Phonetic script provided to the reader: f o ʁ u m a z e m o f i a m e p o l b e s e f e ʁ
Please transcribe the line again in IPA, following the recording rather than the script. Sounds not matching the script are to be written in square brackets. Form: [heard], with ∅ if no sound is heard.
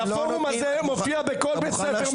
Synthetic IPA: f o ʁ u m a z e m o f i a [b] e [k] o l b e s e f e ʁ